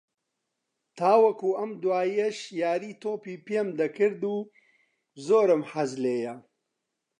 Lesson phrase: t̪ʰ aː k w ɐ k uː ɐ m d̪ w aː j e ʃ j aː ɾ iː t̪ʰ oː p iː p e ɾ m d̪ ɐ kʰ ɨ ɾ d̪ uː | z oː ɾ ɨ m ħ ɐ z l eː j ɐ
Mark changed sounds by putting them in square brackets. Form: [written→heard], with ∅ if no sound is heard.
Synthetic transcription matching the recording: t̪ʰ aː [k→∅] w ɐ k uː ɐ m d̪ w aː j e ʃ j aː ɾ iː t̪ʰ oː p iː p e [ɾ→∅] m d̪ ɐ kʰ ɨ ɾ d̪ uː | z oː ɾ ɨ m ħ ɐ z l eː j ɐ